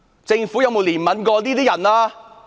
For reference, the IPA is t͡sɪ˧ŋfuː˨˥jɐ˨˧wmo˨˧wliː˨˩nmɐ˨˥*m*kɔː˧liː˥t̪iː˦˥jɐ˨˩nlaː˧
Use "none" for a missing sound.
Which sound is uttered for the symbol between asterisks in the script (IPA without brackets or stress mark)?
n